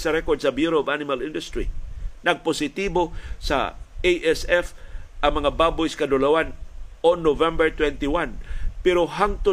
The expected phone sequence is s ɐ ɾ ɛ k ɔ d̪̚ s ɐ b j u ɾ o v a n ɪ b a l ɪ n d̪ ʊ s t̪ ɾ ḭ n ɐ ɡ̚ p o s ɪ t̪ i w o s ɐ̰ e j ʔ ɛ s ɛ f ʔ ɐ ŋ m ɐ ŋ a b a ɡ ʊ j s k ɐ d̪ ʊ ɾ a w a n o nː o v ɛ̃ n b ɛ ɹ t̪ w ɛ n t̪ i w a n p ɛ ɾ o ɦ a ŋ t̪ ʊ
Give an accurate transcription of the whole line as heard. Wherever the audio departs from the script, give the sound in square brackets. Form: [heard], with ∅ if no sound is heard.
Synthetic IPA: s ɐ ɾ ɛ k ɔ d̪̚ s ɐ b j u ɾ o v a n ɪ [m] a l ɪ n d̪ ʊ s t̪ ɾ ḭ n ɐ ɡ̚ p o s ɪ t̪ i [b] o s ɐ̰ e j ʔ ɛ s ɛ f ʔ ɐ ŋ m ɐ ŋ a b a [b] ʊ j s k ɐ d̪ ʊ [l] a w a n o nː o v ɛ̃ [m] b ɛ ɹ t̪ w ɛ n t̪ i w a n p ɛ ɾ o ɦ a ŋ t̪ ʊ